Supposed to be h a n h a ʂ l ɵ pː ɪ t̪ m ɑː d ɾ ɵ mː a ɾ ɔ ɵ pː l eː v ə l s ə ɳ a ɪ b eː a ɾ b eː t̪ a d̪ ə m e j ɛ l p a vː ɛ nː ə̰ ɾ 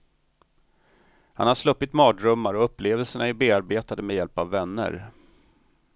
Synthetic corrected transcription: h a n h a ʂ l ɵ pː ɪ t̪ m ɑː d ɾ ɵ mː a ɾ ɔ ɵ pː l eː v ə l s ə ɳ a ɪ b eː a ɾ b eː t̪ a d̪ ə m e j ɛ l p a vː ɛ nː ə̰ ɾ